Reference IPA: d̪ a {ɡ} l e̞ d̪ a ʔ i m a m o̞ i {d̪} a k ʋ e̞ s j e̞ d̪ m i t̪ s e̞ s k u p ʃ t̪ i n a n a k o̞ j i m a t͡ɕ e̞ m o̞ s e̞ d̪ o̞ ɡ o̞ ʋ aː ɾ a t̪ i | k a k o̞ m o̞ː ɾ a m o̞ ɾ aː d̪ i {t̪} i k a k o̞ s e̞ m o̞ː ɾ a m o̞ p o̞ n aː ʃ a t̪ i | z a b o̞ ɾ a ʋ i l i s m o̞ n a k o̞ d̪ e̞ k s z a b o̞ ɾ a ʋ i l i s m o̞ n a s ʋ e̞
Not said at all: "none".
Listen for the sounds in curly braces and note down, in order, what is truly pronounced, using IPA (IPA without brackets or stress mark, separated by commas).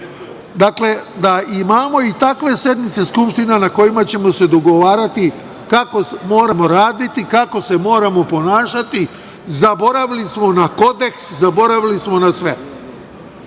k, t̪, t̪